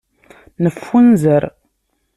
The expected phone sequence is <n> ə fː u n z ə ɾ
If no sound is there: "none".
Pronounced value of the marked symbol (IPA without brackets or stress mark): n